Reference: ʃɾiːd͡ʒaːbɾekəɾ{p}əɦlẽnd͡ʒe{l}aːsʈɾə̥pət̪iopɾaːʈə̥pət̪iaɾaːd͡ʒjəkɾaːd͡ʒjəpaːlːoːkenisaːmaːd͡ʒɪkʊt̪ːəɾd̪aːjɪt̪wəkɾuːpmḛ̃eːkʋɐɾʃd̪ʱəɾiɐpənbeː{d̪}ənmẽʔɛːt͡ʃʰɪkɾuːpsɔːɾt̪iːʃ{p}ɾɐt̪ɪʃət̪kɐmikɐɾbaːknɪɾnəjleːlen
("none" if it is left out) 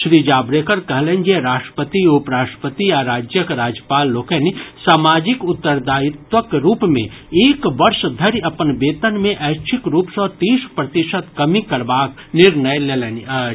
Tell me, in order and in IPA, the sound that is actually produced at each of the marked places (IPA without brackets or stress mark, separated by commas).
k, ɾ, t̪, p